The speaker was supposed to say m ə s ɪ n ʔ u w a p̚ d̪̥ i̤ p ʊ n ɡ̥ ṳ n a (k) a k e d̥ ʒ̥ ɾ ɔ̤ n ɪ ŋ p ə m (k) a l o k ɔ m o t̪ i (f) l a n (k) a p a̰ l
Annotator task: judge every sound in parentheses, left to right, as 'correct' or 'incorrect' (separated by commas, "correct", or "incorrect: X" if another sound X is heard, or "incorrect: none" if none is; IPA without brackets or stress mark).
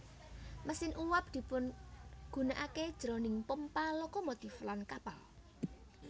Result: incorrect: ʔ, incorrect: p, correct, correct